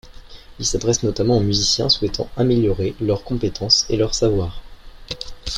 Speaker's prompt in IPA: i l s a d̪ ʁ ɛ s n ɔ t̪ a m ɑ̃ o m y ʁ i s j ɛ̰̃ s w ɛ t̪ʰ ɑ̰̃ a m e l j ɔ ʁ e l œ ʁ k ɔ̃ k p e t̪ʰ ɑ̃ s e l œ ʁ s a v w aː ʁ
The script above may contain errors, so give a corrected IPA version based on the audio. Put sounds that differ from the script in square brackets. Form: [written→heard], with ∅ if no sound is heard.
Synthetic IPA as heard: i l s a d̪ ʁ ɛ s n ɔ t̪ a m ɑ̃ o m y [ʁ→z] i s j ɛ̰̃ s w ɛ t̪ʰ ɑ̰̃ a m e l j ɔ ʁ e l œ ʁ k ɔ̃ [k→∅] p e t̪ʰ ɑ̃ s e l œ ʁ s a v w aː ʁ